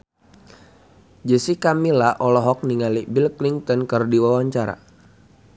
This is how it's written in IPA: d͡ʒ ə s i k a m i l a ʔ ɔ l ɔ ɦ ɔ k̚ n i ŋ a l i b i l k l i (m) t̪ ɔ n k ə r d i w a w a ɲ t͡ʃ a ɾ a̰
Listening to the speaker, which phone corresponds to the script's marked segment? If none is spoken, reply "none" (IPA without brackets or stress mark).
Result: ŋ